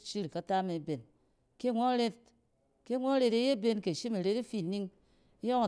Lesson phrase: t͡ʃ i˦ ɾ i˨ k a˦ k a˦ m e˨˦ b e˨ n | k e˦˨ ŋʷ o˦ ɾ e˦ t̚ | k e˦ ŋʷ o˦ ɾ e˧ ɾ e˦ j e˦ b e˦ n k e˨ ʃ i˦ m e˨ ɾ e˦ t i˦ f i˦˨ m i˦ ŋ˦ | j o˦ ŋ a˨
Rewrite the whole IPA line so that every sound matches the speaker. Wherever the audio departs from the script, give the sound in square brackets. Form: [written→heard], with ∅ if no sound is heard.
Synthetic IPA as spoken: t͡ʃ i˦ ɾ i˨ k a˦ [k→t] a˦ m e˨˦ b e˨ n | k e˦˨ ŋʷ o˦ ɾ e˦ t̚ | k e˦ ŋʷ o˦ ɾ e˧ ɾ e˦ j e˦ b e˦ n k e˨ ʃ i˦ m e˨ ɾ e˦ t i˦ f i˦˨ [m→n] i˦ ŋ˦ | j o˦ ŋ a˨